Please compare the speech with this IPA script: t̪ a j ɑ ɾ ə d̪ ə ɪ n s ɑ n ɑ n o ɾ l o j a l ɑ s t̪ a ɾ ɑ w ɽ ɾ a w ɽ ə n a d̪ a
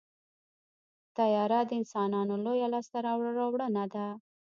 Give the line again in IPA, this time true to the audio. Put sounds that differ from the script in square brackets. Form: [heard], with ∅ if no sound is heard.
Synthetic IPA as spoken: t̪ a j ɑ ɾ [a] d̪ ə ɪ n s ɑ n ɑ n o [∅] l o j a l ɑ s t̪ a ɾ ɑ w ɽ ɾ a w ɽ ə n a d̪ a